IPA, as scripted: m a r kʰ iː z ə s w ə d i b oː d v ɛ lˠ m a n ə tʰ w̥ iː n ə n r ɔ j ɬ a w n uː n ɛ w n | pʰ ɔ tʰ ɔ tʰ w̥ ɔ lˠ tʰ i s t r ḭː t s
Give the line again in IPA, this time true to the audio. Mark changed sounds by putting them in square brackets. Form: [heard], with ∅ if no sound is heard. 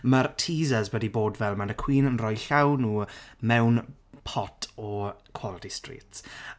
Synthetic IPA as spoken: m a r [tʰ] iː z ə [z] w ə d i b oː d v ɛ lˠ m a n ə [kʰ] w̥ iː n ə n r ɔ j ɬ a w n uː [m] ɛ w n | pʰ ɔ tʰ ɔ [kʰ] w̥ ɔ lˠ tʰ i s t r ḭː t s

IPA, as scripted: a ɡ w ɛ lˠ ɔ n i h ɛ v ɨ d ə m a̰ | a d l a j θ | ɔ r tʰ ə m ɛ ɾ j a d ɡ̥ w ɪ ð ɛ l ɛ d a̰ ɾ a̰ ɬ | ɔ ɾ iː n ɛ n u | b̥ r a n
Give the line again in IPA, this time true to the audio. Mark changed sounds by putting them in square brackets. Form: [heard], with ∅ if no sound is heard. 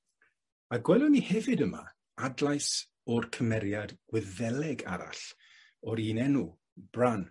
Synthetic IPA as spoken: a ɡ w ɛ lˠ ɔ n i h ɛ v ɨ d ə m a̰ | a d l a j [s] | ɔ r [kʰ] ə m ɛ ɾ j a d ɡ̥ w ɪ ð ɛ l ɛ [ɡ] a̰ ɾ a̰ ɬ | ɔ ɾ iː n ɛ n u | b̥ r a n

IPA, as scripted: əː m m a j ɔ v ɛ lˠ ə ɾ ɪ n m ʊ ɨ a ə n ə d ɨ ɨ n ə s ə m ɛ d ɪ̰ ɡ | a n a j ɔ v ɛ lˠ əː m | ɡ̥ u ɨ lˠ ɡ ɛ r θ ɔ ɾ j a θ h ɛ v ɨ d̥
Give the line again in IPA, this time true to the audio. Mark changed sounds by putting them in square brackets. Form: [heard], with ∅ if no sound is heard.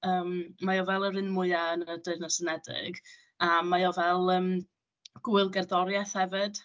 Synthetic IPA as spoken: əː m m a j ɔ v ɛ lˠ ə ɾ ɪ n m ʊ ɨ a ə n ə d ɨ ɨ n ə s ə [n] ɛ d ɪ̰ ɡ | a [m] a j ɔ v ɛ lˠ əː m | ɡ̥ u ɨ lˠ ɡ ɛ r [ð] ɔ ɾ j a θ h ɛ v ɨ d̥

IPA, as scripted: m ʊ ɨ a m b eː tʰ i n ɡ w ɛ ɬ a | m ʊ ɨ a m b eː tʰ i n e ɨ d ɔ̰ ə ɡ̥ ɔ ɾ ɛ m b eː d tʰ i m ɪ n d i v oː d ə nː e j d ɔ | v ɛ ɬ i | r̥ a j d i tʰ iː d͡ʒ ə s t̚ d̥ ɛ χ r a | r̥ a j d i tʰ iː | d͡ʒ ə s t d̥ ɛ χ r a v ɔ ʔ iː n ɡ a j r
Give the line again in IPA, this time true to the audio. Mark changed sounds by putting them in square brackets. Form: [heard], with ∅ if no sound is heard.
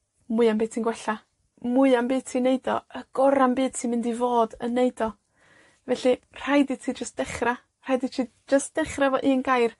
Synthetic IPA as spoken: m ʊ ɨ a m b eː tʰ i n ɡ w ɛ ɬ a | m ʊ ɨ a m b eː tʰ i n e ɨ d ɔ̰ ə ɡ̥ ɔ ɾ [a] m b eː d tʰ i m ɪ n d i v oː d ə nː e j d ɔ | v ɛ ɬ i | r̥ a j d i tʰ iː d͡ʒ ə s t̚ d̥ ɛ χ r a | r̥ a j d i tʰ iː | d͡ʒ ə s t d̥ ɛ χ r a v ɔ ʔ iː n ɡ a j r

